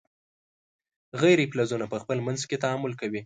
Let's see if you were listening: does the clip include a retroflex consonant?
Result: no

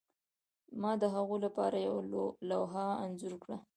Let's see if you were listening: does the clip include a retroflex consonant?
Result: yes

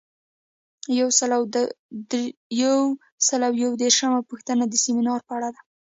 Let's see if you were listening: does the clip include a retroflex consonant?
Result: yes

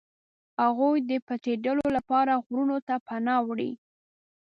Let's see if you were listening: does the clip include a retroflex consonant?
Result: yes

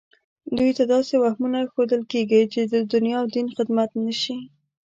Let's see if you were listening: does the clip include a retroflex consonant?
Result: no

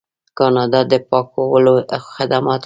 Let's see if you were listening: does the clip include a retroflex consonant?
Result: no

